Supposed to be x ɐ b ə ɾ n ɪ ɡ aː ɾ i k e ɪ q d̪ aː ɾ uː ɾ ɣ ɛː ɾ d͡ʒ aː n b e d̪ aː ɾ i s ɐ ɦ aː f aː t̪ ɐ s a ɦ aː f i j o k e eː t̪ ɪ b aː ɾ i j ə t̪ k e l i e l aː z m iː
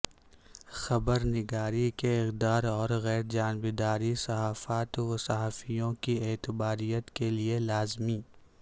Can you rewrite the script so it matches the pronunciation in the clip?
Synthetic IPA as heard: x ɐ b ə ɾ n ɪ ɡ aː ɾ i k e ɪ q d̪ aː ɾ ɔː ɾ ɣ ɛː ɾ d͡ʒ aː n b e d̪ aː ɾ i s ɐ ɦ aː f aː t̪ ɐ s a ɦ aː f i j õ k i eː t̪ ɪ b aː ɾ i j ə t̪ k e l i e l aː z m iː